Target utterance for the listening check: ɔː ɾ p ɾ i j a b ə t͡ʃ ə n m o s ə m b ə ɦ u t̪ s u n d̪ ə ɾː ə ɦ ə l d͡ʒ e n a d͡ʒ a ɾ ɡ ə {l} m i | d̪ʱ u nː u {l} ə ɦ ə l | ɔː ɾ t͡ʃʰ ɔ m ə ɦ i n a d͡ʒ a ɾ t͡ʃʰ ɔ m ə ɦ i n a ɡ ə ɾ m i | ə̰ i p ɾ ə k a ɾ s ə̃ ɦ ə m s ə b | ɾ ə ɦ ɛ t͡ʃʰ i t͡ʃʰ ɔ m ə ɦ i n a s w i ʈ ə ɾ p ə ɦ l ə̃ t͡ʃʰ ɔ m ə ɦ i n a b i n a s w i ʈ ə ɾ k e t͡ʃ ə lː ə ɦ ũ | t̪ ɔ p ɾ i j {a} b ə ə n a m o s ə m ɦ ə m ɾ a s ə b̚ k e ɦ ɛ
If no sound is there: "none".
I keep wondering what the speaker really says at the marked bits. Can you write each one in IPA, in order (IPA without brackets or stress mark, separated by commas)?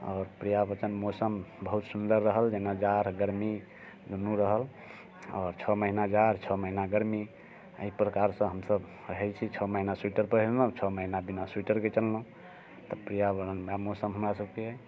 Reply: ɾ, ɾ, a